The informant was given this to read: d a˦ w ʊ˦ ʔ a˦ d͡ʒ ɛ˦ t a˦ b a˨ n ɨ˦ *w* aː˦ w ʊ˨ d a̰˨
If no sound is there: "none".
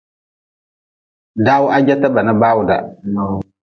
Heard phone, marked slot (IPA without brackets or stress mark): b